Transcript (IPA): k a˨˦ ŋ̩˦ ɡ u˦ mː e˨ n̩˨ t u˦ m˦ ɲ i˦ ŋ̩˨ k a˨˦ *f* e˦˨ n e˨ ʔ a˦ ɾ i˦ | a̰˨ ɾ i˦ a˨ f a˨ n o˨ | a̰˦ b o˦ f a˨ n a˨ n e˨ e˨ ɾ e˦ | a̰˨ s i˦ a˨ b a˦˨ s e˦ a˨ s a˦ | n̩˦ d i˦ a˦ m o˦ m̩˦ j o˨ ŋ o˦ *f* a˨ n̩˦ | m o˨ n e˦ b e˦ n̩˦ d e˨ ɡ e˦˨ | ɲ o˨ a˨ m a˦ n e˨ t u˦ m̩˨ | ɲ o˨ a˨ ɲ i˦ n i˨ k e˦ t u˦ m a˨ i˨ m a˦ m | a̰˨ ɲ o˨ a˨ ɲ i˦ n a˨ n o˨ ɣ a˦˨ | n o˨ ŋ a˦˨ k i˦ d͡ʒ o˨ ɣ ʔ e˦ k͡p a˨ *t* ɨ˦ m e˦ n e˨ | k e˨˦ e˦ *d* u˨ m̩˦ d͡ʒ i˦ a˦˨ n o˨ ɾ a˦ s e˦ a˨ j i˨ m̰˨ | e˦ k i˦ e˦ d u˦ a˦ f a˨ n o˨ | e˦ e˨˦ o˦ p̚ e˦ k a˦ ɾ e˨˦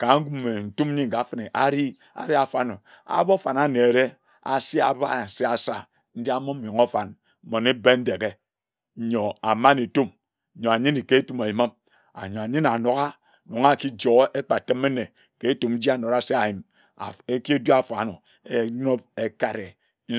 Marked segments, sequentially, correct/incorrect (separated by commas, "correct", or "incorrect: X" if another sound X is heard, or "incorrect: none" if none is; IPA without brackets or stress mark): correct, correct, correct, incorrect: t